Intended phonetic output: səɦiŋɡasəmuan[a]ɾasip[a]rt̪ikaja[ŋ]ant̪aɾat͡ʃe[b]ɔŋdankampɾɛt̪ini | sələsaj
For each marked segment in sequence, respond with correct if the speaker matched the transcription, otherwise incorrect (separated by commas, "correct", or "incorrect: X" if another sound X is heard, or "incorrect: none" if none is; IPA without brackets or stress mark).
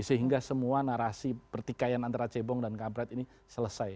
correct, incorrect: ə, incorrect: n, correct